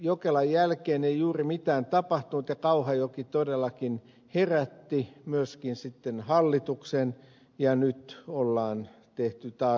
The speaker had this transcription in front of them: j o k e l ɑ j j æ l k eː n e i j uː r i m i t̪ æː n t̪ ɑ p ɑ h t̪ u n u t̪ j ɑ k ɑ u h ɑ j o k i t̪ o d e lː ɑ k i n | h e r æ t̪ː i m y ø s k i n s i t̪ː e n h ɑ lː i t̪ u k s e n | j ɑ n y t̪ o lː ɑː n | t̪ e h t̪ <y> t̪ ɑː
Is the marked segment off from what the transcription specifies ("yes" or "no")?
no